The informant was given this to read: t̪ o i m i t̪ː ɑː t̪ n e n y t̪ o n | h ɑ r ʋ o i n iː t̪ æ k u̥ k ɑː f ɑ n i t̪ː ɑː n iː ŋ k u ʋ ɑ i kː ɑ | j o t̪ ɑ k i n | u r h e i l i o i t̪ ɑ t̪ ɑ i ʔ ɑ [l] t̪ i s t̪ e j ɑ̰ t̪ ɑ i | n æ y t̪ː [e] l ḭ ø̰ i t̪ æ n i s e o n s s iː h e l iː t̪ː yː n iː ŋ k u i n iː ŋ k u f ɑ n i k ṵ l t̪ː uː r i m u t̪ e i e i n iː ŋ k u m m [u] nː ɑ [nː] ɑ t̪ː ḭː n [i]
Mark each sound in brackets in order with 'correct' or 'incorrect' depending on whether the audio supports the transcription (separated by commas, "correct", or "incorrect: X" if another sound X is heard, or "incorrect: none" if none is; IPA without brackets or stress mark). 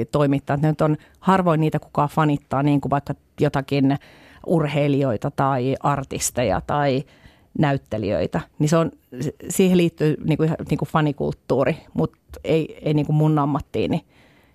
incorrect: r, correct, correct, incorrect: mː, correct